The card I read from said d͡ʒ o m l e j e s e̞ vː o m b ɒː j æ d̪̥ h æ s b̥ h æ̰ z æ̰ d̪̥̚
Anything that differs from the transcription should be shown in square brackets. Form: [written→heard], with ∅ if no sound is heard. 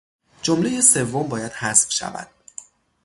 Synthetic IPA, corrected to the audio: d͡ʒ o m l e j e s e̞ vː o m b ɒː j æ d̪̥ h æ s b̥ [h→ʃ] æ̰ [z→v] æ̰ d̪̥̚